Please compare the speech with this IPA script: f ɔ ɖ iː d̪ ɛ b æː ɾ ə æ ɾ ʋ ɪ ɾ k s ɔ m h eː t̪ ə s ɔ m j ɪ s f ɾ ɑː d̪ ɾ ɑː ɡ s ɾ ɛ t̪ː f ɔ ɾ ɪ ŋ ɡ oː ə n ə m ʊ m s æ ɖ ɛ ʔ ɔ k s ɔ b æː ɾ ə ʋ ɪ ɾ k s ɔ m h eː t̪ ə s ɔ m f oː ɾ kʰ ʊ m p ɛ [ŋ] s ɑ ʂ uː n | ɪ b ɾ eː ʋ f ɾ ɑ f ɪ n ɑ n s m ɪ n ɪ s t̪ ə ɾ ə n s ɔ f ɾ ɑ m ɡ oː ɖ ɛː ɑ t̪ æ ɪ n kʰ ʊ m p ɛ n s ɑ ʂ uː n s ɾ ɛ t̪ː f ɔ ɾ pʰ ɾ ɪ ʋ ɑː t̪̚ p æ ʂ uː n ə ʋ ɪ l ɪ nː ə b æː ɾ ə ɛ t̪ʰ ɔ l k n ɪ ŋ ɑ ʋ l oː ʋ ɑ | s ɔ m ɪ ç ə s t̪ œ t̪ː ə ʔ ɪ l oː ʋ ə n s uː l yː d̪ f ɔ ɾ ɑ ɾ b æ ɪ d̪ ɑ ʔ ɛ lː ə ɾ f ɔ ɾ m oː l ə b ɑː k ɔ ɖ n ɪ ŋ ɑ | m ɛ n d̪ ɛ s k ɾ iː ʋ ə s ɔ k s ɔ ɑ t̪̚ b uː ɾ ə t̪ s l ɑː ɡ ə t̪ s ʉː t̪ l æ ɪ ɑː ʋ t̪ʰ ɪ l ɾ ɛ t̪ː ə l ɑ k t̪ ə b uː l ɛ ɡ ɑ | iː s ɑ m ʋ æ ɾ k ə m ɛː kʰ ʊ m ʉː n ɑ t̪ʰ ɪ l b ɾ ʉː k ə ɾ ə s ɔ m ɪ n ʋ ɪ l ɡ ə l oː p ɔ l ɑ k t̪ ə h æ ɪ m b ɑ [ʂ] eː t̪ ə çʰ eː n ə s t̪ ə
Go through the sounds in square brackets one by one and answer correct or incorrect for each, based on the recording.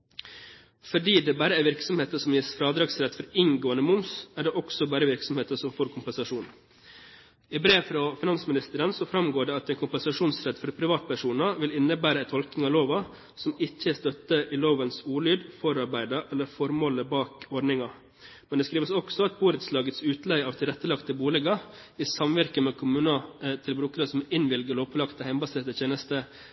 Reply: incorrect: n, incorrect: s

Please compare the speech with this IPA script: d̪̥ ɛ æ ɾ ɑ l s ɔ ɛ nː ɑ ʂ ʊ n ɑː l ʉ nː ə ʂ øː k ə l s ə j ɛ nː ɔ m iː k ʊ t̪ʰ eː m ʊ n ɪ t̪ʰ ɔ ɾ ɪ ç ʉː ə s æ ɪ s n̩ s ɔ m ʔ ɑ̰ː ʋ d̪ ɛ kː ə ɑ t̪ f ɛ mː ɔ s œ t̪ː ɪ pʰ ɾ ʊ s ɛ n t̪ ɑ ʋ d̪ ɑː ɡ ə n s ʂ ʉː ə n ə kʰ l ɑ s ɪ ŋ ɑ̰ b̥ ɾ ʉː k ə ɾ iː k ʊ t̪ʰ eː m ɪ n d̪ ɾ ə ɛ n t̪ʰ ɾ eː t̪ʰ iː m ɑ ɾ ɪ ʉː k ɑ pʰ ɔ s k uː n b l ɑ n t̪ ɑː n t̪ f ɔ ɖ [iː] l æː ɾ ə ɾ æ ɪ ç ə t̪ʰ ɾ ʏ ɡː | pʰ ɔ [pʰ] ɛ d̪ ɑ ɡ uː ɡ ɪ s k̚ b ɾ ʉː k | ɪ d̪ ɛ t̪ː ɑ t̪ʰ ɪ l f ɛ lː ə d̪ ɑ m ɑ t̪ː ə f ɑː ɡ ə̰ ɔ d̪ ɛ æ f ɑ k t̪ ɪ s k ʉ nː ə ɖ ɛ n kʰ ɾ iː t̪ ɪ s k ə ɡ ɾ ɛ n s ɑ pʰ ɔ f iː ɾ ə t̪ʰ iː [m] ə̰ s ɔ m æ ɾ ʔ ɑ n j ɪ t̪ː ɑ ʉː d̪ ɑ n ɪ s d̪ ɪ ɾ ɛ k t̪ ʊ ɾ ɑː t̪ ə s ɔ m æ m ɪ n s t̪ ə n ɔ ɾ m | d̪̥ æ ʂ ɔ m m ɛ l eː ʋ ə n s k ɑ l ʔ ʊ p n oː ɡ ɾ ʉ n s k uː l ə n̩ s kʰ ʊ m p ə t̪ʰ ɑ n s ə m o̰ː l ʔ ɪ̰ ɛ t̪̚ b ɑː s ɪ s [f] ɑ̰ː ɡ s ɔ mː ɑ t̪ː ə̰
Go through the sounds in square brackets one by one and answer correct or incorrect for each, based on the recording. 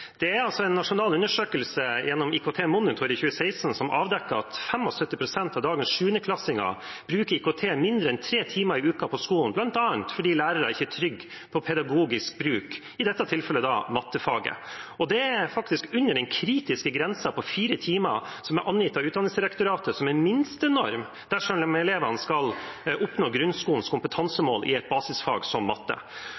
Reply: correct, correct, correct, correct

